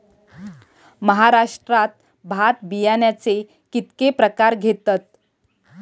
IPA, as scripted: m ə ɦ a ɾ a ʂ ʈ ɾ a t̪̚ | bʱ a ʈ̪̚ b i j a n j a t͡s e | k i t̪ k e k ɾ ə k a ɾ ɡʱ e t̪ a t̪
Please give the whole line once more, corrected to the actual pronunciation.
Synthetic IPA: m ə ɦ a ɾ a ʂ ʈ ɾ a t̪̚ | bʱ a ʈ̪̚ b i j a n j a t͡s e | k i t̪ k e p ɾ ə k a ɾ ɡʱ e t̪ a t̪